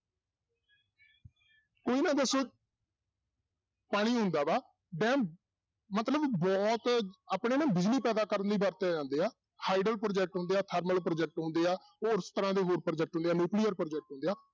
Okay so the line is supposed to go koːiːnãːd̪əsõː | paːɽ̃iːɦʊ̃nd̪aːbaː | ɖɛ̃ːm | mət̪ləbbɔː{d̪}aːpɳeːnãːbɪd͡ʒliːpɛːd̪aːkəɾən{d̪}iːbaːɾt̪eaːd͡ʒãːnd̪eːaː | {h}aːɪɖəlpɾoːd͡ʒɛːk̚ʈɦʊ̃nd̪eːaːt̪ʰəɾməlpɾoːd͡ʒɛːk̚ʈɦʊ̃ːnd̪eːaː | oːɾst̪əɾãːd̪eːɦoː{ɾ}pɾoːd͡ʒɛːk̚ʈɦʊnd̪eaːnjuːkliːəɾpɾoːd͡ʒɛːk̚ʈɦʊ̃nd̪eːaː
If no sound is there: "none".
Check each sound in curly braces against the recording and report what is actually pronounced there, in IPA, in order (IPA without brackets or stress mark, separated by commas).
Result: t̪, d̪, h, ɾ